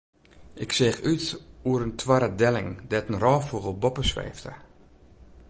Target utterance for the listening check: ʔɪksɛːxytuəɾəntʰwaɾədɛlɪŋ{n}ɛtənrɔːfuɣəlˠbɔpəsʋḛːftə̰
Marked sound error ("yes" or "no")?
yes